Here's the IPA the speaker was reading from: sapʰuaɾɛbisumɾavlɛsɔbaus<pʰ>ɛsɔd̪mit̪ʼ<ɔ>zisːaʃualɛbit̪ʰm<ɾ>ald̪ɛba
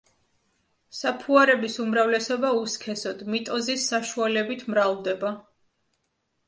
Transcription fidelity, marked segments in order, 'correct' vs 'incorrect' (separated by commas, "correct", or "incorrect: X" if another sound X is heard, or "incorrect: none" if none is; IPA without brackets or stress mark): incorrect: kʰ, correct, correct